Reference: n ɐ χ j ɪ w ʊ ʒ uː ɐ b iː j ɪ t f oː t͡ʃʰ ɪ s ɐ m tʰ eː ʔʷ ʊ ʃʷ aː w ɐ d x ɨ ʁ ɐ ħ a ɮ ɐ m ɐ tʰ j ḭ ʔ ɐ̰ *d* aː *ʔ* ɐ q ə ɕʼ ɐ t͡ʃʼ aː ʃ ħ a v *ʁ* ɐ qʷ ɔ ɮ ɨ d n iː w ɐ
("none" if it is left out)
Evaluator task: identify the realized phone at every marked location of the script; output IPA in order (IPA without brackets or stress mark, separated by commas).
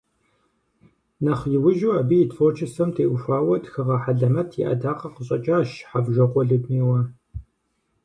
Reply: d, q, ʒ